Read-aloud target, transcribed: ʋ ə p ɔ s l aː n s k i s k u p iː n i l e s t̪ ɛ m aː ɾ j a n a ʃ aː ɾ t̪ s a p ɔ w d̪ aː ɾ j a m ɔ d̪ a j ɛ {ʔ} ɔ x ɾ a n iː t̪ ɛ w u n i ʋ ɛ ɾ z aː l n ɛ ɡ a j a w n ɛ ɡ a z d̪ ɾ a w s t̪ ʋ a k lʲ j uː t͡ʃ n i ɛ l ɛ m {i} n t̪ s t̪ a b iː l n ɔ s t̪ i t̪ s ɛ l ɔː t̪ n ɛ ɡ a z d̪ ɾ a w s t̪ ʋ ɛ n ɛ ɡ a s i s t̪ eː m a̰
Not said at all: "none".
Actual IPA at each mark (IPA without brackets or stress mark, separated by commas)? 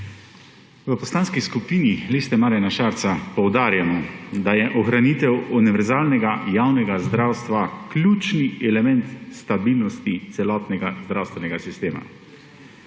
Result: ʔ, ɛ